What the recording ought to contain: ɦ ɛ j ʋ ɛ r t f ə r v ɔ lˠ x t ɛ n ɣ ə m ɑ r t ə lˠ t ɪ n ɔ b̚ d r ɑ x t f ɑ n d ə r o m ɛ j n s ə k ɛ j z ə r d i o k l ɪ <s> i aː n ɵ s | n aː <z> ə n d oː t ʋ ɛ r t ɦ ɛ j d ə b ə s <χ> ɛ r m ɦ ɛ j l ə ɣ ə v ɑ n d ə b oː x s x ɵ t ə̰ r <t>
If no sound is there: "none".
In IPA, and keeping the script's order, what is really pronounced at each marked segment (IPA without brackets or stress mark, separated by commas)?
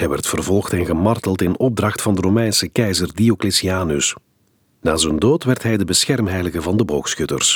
s, z, x, s